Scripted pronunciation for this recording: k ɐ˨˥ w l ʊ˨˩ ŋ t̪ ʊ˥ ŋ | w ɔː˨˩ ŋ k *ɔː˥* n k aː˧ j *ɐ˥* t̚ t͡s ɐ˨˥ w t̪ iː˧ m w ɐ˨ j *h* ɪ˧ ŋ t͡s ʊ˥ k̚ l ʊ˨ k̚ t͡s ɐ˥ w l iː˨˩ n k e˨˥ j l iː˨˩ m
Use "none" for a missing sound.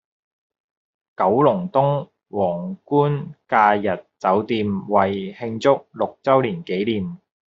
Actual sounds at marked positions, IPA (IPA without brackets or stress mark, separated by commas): uː˥, ɐ˨, h